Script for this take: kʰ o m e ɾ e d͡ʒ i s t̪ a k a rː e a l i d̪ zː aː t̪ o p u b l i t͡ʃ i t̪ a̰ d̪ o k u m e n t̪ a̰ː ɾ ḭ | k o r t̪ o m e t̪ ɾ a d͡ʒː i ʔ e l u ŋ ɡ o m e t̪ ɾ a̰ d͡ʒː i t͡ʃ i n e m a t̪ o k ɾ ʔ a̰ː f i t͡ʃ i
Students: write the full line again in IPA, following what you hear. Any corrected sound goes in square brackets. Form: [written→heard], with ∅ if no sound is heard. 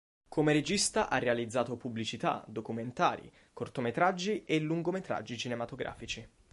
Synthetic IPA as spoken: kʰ o m e ɾ e d͡ʒ i s t̪ a [k→ʔ] a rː e a l i d̪ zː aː t̪ o p u b l i t͡ʃ i t̪ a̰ d̪ o k u m e n t̪ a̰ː ɾ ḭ | k o r t̪ o m e t̪ ɾ a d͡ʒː i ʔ e l u ŋ ɡ o m e t̪ ɾ a̰ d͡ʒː i t͡ʃ i n e m a t̪ o [k→ɡ] ɾ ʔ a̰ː f i t͡ʃ i